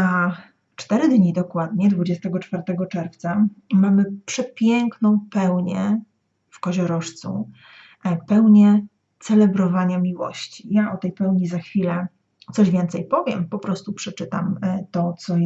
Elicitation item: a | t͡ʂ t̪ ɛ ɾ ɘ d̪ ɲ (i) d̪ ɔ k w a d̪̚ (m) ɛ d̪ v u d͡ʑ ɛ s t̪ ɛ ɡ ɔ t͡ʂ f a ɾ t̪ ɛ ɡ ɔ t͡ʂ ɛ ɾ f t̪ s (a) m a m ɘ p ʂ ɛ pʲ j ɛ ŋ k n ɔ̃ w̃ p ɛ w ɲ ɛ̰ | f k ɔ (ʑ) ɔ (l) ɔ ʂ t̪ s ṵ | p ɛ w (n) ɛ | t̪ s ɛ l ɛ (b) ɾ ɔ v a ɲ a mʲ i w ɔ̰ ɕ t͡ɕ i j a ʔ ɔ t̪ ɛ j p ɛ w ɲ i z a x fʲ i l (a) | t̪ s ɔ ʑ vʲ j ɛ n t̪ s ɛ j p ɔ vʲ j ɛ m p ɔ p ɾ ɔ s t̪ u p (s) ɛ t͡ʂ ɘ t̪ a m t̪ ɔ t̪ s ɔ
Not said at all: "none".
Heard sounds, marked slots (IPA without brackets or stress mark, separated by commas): i, ɲ, a, ʑ, ɾ, ɲ, b, ɛ, ʂ